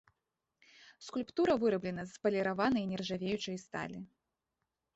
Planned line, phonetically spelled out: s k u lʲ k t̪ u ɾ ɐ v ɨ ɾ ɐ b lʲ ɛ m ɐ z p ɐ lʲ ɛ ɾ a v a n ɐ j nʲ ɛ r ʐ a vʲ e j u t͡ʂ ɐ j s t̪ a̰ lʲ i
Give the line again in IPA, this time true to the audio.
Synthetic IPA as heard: s k u lʲ p t̪ u ɾ ɐ v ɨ ɾ ɐ b lʲ ɛ n ɐ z p ɐ lʲ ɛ ɾ a v a n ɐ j nʲ ɛ r ʐ a vʲ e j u t͡ʂ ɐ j s t̪ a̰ lʲ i